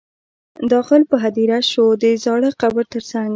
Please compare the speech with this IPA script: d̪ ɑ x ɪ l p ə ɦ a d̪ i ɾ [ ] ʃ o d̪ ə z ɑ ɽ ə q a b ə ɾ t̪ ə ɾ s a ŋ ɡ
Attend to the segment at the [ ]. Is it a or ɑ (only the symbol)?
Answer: a